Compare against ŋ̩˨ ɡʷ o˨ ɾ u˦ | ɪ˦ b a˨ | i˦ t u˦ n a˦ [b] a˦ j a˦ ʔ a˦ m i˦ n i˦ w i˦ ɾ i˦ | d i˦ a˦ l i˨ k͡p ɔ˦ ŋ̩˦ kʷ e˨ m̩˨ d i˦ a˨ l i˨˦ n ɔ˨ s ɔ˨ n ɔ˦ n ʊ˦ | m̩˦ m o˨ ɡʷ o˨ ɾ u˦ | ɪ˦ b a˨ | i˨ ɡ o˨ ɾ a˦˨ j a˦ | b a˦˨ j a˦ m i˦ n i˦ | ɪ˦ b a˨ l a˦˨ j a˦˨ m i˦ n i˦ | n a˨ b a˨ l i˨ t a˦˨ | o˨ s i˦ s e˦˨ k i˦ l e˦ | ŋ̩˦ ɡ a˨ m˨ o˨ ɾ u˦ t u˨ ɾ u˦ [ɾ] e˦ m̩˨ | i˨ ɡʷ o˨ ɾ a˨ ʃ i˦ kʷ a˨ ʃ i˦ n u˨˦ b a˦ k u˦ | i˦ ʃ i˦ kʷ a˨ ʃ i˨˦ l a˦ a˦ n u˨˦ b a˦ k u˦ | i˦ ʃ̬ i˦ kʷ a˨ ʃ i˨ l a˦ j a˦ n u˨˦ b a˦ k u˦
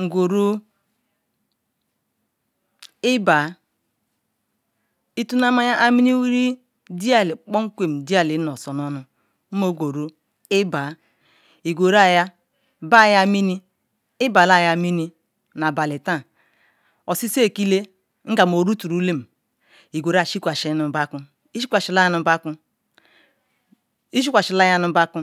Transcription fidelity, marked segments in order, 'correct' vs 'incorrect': incorrect, incorrect

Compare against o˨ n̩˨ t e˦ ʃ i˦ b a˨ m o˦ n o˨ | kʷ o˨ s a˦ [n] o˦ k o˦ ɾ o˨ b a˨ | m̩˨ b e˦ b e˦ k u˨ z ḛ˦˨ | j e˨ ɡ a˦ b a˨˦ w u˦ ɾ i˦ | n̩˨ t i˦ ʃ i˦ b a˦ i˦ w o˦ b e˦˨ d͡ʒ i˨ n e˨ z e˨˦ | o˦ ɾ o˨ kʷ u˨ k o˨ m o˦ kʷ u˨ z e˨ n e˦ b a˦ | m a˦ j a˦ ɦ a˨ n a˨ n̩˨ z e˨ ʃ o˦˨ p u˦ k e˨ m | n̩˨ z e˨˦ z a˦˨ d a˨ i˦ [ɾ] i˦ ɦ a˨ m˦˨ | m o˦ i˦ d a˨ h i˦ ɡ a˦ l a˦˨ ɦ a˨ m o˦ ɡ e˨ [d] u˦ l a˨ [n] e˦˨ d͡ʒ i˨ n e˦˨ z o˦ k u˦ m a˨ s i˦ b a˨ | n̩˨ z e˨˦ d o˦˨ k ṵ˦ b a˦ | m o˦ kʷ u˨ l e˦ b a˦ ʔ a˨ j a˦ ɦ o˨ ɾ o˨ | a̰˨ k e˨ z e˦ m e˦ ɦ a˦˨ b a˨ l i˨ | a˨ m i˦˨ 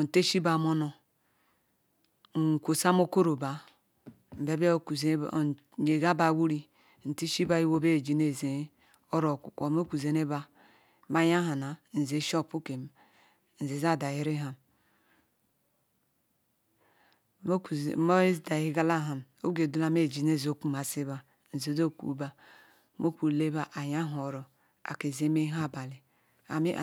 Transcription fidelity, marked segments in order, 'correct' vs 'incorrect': incorrect, correct, correct, incorrect

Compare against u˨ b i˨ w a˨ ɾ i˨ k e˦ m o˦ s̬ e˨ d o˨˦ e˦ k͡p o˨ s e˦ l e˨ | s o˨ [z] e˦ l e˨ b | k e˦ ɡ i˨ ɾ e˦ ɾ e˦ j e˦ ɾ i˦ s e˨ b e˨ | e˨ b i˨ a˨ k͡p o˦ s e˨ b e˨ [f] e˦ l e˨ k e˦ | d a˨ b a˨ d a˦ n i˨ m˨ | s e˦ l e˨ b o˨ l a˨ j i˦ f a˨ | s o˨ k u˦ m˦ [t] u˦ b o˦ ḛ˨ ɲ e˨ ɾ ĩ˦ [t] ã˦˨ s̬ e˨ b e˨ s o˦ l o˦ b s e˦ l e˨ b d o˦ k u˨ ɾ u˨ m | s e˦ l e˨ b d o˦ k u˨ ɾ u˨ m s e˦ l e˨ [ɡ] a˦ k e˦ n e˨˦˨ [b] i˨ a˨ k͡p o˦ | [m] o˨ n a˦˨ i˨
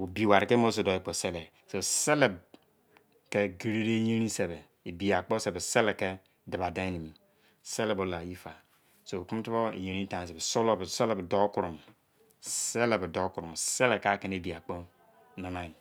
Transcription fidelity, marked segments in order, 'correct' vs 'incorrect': incorrect, incorrect, correct, correct, incorrect, correct, incorrect

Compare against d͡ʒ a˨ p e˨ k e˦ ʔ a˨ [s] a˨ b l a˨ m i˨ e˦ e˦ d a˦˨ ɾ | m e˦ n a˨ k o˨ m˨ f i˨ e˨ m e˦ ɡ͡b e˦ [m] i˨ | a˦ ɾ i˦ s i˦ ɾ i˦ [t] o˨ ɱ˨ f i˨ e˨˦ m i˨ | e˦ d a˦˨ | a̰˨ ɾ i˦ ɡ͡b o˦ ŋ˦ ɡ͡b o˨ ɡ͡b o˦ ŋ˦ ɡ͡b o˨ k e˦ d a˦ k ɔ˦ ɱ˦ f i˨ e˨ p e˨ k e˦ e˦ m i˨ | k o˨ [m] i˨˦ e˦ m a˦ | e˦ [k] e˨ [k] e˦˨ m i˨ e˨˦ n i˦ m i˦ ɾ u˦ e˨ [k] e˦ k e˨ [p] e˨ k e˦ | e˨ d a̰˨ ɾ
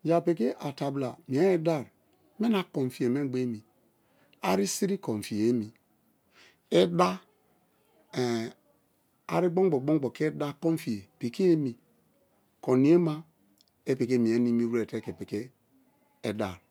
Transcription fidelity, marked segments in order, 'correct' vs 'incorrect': incorrect, correct, incorrect, incorrect, incorrect, correct, incorrect, correct

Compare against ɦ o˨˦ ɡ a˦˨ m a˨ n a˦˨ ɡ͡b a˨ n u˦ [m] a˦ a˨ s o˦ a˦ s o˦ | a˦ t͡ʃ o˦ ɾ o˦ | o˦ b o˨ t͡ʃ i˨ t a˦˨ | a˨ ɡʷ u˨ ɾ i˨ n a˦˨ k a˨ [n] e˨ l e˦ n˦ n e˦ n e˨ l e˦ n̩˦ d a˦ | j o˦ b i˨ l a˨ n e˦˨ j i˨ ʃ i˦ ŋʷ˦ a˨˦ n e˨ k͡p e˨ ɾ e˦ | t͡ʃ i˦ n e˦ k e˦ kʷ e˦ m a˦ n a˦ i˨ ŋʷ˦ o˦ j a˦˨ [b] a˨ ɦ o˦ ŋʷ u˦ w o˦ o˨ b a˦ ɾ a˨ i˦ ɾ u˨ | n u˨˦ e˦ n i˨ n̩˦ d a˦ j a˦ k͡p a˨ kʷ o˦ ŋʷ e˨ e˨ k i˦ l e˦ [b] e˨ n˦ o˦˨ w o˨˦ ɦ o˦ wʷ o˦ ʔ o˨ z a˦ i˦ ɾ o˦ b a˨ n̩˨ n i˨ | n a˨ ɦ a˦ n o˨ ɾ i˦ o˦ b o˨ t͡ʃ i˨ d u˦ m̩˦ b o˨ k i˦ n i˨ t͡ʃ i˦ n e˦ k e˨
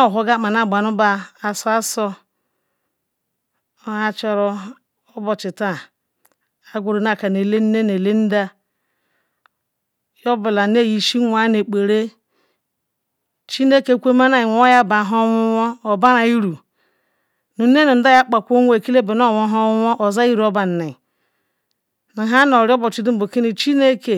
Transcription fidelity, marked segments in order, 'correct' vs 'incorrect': incorrect, correct, correct, correct

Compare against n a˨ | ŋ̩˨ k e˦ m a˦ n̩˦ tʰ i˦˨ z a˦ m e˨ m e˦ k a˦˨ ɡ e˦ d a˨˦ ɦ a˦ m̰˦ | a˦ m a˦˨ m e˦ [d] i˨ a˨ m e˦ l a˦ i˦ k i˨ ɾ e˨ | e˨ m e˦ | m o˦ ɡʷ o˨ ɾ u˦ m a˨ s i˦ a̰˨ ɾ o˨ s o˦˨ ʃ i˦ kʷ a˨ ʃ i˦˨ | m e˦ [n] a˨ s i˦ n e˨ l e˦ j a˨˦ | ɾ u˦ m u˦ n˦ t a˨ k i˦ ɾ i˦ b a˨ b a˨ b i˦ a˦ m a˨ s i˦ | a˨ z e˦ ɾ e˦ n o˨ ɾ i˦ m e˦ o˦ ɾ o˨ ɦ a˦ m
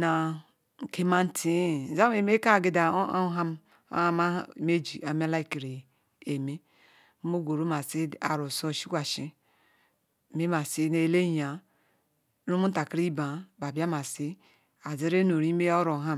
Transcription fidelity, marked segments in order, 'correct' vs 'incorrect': incorrect, incorrect

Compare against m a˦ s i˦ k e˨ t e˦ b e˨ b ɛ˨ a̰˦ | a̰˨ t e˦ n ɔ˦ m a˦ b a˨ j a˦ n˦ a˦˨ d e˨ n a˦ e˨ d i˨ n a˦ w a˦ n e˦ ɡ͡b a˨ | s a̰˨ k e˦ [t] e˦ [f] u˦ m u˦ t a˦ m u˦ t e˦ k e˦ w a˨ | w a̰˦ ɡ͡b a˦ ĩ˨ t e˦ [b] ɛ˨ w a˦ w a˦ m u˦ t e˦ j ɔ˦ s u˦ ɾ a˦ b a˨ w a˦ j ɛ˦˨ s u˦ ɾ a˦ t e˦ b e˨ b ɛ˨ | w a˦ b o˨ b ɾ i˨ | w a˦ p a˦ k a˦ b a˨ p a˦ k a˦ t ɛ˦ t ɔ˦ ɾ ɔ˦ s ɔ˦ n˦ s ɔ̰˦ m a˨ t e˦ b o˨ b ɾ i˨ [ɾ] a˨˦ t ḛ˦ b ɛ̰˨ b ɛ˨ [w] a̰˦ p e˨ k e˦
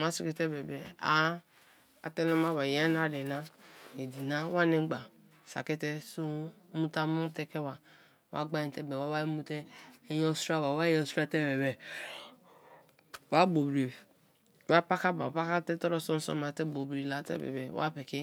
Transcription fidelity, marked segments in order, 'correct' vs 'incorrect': correct, incorrect, correct, incorrect, correct

